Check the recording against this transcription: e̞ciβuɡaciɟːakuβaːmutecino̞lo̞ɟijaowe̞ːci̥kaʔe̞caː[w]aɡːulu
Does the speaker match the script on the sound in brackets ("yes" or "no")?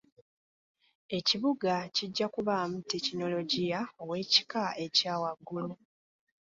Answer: yes